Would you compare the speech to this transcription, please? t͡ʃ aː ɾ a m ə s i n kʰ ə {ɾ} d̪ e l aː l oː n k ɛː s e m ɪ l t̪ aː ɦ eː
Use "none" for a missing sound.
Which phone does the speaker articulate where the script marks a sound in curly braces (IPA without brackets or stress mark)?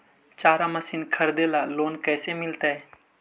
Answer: ɾ